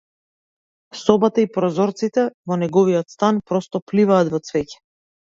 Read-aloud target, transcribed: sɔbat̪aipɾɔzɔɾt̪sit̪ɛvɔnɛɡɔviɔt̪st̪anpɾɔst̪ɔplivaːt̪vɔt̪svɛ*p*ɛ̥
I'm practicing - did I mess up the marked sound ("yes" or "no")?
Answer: yes